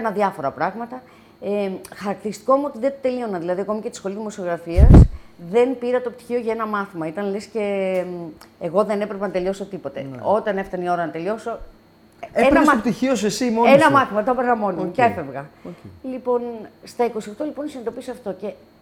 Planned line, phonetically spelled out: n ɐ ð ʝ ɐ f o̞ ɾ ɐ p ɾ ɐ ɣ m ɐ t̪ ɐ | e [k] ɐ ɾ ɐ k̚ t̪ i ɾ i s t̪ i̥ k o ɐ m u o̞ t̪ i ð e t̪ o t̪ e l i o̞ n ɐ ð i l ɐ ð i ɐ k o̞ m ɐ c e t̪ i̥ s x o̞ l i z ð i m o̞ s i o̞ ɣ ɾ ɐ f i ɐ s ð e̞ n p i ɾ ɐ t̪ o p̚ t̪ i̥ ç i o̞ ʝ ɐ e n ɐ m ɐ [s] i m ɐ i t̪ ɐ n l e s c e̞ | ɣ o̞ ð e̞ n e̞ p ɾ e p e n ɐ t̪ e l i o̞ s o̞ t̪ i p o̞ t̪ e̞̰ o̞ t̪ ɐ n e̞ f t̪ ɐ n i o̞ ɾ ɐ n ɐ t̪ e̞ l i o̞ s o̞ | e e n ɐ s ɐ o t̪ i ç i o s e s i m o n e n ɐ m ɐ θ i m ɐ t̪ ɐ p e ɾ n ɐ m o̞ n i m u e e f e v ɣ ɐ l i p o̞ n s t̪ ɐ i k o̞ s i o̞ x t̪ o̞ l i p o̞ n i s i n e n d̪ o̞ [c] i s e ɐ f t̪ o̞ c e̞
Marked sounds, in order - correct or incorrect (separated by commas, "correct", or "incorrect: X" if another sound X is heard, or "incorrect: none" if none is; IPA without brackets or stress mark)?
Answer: incorrect: x, incorrect: θ, incorrect: p